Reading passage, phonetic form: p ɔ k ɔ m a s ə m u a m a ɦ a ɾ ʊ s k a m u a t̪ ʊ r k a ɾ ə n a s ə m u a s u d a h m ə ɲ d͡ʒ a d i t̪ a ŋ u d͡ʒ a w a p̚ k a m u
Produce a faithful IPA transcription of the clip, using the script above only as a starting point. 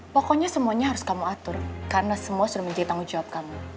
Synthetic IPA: p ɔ k ɔ ɲ a s ə m u a ɲ a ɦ a ɾ ʊ s k a m u a t̪ ʊ r k a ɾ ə n a s ə m u a s u d a h m ə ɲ d͡ʒ a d i t̪ a ŋ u d͡ʒ a w a p̚ k a m u